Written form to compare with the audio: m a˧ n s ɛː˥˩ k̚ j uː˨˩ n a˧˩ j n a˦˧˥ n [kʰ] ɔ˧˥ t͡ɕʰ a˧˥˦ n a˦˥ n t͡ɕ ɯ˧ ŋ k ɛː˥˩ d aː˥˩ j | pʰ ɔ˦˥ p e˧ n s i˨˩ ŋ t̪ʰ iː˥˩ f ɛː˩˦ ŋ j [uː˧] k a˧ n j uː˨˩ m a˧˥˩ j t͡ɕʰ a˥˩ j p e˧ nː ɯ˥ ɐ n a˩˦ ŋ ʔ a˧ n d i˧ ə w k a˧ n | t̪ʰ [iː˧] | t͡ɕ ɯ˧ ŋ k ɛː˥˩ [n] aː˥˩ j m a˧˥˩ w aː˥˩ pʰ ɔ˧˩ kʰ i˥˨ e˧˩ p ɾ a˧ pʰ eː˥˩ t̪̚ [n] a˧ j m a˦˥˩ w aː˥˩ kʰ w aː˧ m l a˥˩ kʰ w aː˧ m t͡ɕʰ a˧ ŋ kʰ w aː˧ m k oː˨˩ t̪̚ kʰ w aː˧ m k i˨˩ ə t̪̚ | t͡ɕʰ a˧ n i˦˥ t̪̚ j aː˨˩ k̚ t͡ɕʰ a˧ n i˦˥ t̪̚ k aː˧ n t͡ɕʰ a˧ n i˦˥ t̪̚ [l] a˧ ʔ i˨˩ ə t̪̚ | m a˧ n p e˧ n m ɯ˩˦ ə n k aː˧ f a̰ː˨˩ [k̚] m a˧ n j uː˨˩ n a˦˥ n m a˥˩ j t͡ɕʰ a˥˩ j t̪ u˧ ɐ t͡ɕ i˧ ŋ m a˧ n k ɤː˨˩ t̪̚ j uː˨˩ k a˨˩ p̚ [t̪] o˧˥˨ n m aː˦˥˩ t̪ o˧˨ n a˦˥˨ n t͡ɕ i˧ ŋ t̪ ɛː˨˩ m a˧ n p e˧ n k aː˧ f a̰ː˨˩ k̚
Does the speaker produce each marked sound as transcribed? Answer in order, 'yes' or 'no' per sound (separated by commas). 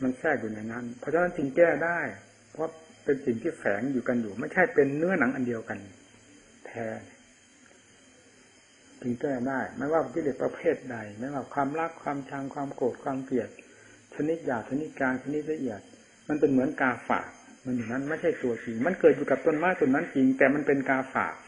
no, no, no, no, no, yes, yes, yes